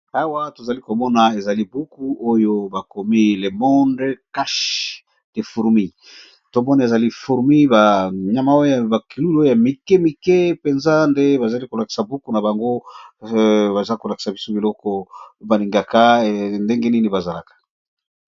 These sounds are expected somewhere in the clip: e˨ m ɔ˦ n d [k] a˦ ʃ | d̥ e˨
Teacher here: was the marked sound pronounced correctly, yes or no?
yes